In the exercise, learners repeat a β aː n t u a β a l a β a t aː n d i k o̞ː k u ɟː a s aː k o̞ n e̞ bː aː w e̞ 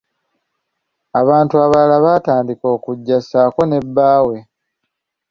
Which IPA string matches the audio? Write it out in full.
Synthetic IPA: a β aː n t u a β a l a β a t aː n d i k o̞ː k u ɟː a s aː k o̞ n e̞ bː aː w e̞